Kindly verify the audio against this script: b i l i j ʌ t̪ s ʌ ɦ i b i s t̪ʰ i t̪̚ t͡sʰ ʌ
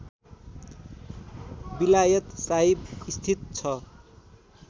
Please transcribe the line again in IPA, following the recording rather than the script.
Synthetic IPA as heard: b i l a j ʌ t̪ s a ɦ i b i s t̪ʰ i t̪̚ t͡sʰ ʌ

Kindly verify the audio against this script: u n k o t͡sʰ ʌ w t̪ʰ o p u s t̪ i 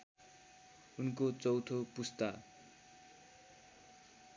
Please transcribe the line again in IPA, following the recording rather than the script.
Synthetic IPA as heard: u n k o t͡s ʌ w t̪ʰ o p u s t̪ a

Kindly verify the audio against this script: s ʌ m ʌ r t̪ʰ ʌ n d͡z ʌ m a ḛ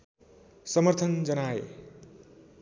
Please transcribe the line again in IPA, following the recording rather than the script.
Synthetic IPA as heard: s ʌ m ʌ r t̪ʰ ʌ n d͡z ʌ n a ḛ

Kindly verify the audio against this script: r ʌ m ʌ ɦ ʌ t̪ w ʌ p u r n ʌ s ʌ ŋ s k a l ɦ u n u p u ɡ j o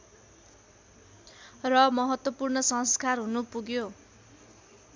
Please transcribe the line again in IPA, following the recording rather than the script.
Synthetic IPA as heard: r ʌ m ʌ ɦ ʌ t̪ w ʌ p u r n ʌ s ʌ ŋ s k a r ɦ u n u p u ɡ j o

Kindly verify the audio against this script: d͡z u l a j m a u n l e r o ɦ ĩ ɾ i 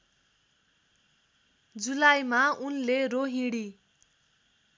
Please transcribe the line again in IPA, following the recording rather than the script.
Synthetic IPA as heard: d͡z u l a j m a u n l e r o ɦ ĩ ɽ i

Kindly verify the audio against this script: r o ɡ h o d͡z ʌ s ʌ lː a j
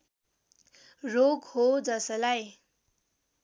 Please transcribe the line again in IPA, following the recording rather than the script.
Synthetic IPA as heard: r o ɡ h o d͡z ʌ s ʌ l a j

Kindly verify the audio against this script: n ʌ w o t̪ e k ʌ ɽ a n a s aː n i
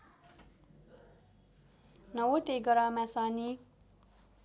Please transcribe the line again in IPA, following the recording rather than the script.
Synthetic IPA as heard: n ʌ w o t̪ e ɡ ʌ ɾ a m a s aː n i

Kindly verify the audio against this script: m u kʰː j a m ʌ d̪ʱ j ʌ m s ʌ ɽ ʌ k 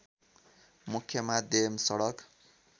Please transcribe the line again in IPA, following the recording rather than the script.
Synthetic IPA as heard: m u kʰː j ʌ m a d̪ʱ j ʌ m s ʌ ɽ ʌ k

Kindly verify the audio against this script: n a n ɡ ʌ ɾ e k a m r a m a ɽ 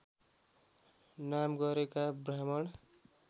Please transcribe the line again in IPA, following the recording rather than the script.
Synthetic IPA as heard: n a m ɡ ʌ ɾ e k a b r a m ʌ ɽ

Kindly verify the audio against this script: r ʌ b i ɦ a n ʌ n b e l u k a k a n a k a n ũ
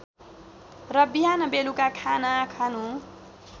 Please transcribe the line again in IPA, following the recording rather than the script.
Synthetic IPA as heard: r ʌ b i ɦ a n ʌ b e l u k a kʰ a n a kʰ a n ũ

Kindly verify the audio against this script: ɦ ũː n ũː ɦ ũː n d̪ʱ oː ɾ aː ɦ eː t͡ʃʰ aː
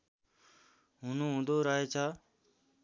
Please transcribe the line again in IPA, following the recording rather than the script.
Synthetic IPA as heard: ɦ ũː n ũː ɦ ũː n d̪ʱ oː ɾ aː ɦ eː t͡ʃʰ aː

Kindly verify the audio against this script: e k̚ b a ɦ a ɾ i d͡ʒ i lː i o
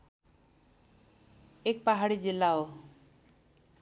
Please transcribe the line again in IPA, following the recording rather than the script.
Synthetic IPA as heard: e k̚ p a ɦ a ɽ i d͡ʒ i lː a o

